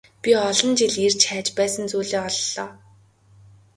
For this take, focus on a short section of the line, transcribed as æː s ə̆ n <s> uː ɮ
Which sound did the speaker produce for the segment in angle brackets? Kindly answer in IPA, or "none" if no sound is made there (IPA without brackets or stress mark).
t͡s